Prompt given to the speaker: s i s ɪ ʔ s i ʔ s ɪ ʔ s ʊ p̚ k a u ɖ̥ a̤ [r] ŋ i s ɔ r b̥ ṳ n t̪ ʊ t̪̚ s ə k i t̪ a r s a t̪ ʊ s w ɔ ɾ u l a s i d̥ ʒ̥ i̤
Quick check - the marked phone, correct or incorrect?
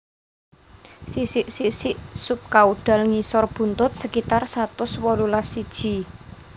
incorrect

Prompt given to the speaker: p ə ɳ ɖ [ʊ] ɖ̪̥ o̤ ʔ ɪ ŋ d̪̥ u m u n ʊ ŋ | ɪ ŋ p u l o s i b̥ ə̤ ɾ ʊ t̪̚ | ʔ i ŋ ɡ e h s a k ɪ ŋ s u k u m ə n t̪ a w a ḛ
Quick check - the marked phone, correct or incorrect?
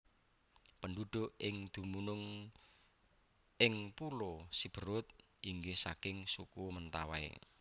incorrect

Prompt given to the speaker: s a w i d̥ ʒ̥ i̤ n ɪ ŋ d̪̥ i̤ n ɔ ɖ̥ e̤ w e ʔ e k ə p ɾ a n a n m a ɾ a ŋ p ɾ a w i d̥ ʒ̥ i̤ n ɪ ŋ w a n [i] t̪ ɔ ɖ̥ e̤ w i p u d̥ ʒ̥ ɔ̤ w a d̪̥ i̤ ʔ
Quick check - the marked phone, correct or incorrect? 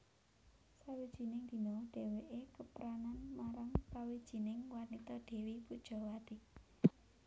correct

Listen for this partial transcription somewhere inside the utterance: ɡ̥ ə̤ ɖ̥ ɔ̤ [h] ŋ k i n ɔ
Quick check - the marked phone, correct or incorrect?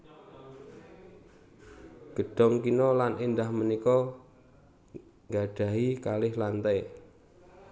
incorrect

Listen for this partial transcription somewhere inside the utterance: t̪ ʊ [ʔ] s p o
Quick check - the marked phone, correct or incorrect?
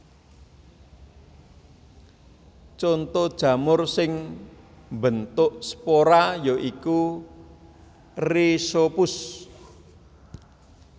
correct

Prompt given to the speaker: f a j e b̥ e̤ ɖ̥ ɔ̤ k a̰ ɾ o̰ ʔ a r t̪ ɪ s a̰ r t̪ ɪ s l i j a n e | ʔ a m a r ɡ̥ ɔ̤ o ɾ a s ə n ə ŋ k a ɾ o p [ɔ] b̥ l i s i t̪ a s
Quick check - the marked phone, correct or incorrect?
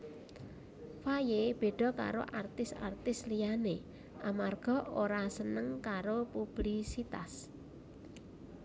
incorrect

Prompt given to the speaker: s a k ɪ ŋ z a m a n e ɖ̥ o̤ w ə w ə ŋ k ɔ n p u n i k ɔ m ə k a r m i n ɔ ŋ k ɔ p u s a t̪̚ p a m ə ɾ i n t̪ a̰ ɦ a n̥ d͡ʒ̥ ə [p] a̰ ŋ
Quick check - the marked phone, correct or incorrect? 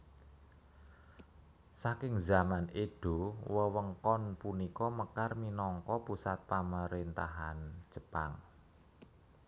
correct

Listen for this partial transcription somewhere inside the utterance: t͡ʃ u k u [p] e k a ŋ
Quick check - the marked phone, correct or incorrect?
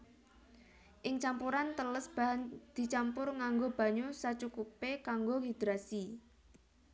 correct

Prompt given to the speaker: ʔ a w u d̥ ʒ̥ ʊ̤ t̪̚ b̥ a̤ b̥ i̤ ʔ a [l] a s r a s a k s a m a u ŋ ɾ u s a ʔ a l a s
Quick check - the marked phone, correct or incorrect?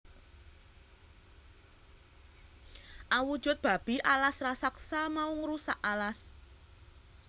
correct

